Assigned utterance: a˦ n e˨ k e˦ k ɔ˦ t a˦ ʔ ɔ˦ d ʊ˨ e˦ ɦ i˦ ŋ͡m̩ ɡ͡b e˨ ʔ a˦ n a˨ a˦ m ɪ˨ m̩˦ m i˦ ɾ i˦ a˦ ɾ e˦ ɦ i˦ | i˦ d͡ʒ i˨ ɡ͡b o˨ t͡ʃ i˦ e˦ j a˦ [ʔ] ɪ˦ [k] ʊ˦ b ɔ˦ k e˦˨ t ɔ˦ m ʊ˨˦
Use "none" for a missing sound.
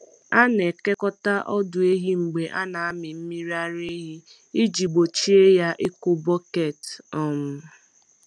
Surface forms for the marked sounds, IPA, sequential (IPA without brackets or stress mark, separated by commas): ʔ, k